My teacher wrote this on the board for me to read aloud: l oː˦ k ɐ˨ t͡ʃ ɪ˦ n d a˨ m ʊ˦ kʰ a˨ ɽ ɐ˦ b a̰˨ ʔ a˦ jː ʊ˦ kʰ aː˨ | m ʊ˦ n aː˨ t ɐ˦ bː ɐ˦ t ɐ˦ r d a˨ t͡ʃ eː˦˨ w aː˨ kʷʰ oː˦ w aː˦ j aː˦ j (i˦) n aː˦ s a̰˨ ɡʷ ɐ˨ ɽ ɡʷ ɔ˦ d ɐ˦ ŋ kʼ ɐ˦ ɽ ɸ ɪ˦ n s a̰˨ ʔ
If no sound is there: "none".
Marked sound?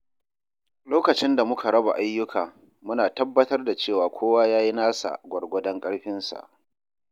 i˦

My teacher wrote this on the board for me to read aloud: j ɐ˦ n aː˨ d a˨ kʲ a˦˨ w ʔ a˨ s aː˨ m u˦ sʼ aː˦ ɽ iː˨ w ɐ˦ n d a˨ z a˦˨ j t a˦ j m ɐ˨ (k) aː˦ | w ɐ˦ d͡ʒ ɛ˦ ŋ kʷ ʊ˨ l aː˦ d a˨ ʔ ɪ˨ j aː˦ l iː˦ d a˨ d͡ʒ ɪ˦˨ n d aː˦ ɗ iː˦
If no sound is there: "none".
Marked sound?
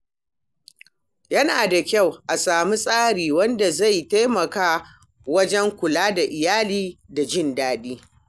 k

